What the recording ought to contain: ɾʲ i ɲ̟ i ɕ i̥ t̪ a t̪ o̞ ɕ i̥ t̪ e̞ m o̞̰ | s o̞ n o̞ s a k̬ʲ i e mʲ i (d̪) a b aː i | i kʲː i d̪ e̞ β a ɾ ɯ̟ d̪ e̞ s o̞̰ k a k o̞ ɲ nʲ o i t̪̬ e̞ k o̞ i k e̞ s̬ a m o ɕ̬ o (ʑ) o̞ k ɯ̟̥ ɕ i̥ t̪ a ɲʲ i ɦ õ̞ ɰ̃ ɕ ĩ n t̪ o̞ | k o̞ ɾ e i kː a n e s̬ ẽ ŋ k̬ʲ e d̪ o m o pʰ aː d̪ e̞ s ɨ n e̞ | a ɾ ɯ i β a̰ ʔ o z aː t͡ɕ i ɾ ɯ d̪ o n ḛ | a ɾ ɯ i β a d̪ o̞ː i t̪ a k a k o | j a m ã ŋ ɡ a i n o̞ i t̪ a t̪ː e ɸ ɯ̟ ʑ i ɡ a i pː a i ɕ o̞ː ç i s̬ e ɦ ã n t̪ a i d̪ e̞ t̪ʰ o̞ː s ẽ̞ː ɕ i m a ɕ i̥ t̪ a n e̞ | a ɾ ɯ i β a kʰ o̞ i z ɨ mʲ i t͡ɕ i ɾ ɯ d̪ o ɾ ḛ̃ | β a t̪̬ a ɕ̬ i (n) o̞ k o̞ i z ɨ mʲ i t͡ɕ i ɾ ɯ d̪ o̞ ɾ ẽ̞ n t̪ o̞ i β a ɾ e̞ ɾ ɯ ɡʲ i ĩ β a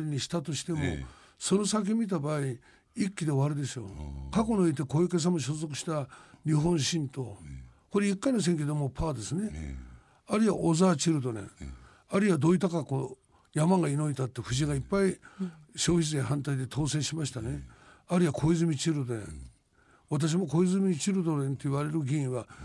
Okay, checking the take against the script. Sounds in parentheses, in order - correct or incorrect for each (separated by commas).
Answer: incorrect, incorrect, incorrect